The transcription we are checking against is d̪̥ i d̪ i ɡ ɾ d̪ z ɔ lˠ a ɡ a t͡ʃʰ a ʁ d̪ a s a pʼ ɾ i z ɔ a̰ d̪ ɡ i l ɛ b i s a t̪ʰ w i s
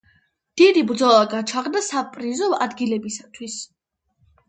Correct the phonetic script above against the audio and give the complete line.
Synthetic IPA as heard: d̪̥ i d̪ i b ɾ d̪ z ɔ lˠ a ɡ a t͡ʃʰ a ʁ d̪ a s a pʼ ɾ i z ɔ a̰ d̪ ɡ i l ɛ b i s a t̪ʰ w i s